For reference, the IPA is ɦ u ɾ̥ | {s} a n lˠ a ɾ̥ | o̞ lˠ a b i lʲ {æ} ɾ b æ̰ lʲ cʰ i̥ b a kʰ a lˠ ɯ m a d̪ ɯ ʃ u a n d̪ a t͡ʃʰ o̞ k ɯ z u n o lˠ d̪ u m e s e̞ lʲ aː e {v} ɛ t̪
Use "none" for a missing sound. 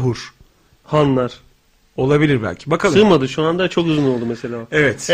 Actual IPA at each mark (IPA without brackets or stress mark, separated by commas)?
h, i, v